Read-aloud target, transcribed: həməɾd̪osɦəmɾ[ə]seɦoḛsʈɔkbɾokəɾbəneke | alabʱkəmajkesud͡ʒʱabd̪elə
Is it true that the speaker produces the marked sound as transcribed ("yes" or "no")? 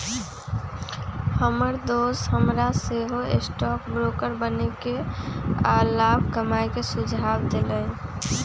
no